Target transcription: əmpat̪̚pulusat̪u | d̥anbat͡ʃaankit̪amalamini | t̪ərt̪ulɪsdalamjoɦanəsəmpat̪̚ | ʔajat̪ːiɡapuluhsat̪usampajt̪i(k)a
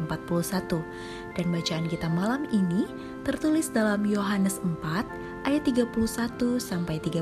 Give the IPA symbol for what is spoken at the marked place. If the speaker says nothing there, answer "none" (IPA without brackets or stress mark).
ɡ